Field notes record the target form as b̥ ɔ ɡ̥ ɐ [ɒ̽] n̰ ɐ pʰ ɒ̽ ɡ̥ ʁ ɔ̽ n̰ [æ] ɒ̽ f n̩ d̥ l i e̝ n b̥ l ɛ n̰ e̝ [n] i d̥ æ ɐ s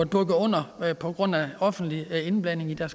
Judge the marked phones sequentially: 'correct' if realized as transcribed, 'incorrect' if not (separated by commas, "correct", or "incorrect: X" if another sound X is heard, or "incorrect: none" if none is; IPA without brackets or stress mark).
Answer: incorrect: ɔ̽, correct, incorrect: ŋ